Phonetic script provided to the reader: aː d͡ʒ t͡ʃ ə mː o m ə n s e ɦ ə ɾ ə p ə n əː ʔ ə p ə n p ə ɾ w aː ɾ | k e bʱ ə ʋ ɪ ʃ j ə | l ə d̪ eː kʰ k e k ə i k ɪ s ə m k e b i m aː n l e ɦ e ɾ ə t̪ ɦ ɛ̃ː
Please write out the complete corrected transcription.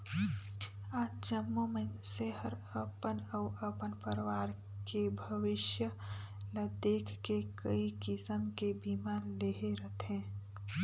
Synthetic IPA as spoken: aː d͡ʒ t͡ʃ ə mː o m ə n s e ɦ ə ɾ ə p ə n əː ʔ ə p ə n p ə ɾ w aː ɾ | k e bʱ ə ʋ ɪ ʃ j ə | l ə d̪ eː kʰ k e k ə i k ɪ s ə m k e b i m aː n l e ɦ e ɾ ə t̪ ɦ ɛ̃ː

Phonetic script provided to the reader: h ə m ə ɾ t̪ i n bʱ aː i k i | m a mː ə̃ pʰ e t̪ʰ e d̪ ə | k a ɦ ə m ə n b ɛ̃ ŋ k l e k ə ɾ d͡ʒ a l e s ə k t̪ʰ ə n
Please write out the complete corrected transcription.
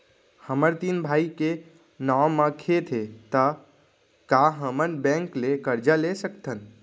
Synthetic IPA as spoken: h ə m ə ɾ t̪ i n bʱ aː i k e | n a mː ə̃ kʰ e t̪ʰ e t̪ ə | k a ɦ ə m ə n b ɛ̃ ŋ k l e k ə ɾ d͡ʒ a l e s ə k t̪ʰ ə n

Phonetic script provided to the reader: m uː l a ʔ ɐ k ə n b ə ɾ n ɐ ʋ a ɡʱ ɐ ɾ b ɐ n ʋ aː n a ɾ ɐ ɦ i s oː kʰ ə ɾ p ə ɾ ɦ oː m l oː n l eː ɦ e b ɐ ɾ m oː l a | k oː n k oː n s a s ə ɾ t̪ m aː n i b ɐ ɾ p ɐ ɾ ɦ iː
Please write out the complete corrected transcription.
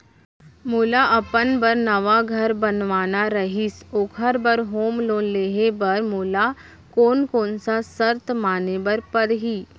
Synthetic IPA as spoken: m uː l a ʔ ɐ p ə n b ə ɾ n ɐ ʋ a ɡʱ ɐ ɾ b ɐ n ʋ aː n a ɾ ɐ ɦ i s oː kʰ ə ɾ b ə ɾ ɦ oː m l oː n l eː ɦ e b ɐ ɾ m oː l a | k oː n k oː n s a s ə ɾ t̪ m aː n e b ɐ ɾ p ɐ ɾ ɦ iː

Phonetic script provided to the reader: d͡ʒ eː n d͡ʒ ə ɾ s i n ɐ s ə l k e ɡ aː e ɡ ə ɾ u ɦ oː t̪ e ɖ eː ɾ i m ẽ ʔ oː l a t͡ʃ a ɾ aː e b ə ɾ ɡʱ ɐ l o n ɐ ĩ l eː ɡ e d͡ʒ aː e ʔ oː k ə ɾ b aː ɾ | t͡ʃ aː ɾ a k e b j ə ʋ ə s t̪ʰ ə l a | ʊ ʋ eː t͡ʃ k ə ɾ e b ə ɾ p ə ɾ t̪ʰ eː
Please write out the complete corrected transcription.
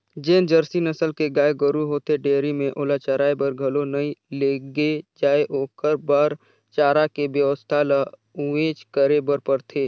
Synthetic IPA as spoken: d͡ʒ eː n d͡ʒ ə ɾ s i n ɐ s ə l k e ɡ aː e ɡ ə ɾ u ɦ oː t̪ e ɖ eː ɾ i m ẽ ʔ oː l a t͡ʃ a ɾ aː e b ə ɾ ɡʱ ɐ l o n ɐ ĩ l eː ɡ e d͡ʒ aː e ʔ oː k ə ɾ b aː ɾ | t͡ʃ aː ɾ a k e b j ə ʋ ə s t̪ʰ a l a | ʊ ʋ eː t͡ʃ k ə ɾ e b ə ɾ p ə ɾ t̪ʰ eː

